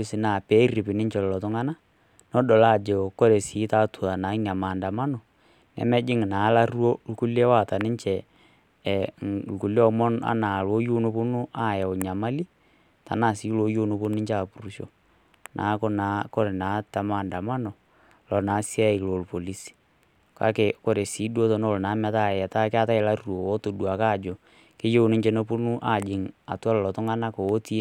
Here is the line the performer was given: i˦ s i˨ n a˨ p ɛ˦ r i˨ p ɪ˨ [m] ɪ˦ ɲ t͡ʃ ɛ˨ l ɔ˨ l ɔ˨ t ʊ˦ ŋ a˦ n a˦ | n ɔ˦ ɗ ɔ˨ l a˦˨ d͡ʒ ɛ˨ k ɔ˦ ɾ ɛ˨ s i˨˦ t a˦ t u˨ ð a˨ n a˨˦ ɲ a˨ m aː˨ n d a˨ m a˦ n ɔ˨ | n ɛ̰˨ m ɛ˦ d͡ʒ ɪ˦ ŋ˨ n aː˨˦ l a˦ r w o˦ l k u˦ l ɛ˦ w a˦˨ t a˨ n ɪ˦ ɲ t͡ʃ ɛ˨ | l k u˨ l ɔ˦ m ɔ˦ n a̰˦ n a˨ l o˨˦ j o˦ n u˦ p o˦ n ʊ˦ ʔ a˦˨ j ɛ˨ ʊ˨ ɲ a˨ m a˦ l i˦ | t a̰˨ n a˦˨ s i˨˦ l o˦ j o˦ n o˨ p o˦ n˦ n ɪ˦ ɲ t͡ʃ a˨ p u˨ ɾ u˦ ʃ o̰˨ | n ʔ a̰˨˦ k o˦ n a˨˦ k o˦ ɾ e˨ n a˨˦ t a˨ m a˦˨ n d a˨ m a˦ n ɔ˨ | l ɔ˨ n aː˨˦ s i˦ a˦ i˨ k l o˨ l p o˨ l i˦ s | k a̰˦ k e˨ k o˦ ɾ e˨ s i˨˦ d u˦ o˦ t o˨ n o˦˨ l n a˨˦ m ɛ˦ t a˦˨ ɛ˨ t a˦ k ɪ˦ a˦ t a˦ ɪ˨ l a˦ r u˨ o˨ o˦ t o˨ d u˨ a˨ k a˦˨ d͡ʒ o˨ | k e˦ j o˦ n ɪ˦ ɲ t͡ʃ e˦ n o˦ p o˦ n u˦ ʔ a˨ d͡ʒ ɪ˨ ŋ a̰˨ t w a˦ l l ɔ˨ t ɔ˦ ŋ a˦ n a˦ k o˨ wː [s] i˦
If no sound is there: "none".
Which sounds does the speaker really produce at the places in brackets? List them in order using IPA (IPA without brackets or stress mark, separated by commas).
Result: n, t